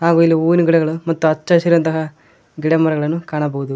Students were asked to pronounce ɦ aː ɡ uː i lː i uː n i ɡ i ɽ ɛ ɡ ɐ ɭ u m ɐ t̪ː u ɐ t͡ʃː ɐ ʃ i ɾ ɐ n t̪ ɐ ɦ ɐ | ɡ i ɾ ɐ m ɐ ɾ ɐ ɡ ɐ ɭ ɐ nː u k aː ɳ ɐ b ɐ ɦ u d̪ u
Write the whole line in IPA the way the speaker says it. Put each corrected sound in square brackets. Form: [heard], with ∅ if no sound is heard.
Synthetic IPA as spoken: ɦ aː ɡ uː i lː i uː n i ɡ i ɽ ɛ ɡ ɐ ɭ u m ɐ t̪ː u ɐ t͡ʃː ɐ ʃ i ɾ ɐ n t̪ ɐ ɦ ɐ | ɡ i [ɽ] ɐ m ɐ ɾ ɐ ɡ ɐ ɭ ɐ nː u k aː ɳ ɐ b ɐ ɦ u d̪ u